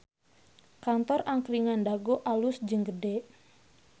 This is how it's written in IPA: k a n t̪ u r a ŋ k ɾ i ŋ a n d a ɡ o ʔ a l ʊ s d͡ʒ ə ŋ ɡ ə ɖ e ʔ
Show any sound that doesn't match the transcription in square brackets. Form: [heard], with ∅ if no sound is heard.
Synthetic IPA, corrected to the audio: k a n t̪ [ɔ] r a ŋ k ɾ i ŋ a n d a ɡ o ʔ a l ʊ s d͡ʒ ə ŋ ɡ ə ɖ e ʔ